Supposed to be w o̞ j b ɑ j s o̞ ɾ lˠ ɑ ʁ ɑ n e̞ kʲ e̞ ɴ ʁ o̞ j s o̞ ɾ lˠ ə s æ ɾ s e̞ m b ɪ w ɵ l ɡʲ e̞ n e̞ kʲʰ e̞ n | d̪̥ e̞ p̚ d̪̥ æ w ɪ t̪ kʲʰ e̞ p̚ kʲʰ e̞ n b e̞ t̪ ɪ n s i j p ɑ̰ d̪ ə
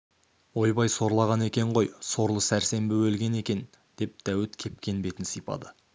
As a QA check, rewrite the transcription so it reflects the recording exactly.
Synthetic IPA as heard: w o̞ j b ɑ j s o̞ ɾ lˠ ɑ ʁ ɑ n e̞ kʲ e̞ ɴ ʁ o̞ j s o̞ ɾ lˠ ə s æ ɾ s e̞ m b ɪ w ɵ l ɡʲ e̞ n e̞ kʲ e̞ n | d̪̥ e̞ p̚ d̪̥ æ w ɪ t̪ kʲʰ e̞ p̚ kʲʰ e̞ n b e̞ t̪ ɪ n s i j p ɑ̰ d̪ ə